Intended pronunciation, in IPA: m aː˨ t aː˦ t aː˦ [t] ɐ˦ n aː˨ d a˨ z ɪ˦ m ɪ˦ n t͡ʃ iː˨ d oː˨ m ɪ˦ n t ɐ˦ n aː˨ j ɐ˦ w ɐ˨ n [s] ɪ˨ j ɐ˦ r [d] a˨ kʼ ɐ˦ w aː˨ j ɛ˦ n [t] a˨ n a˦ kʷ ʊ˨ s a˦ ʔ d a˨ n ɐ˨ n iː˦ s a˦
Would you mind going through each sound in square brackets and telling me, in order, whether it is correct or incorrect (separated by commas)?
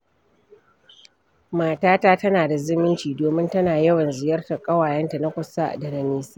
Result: correct, incorrect, incorrect, correct